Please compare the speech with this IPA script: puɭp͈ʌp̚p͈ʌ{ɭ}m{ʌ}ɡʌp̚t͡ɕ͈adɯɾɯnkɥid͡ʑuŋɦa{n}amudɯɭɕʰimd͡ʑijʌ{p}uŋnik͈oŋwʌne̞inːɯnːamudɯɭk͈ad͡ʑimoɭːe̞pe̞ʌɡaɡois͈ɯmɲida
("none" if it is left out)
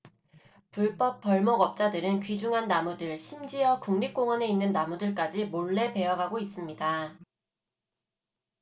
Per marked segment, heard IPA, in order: ɭ, ʌ, nː, k

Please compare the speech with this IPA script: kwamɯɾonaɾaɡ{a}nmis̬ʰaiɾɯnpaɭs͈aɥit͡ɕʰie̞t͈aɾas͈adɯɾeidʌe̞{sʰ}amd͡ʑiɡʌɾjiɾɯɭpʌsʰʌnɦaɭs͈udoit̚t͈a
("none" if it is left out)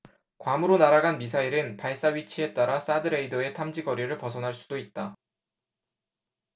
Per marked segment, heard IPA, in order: a, tʰ

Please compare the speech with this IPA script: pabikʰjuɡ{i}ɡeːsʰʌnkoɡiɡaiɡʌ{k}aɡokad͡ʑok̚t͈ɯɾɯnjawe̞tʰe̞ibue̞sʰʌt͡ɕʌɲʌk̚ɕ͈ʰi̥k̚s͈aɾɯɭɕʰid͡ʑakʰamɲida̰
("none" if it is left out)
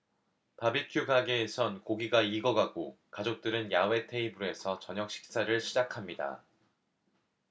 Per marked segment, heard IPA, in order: a, ɡ

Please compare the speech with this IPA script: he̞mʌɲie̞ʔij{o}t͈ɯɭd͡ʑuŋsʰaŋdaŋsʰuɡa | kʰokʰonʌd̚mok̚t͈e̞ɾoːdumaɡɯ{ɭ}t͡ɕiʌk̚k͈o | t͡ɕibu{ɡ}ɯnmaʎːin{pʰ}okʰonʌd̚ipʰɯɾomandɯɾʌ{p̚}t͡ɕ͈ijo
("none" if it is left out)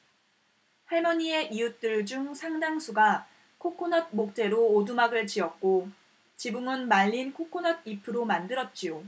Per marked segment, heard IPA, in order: u, ɭ, ŋ, kʰ, t̚

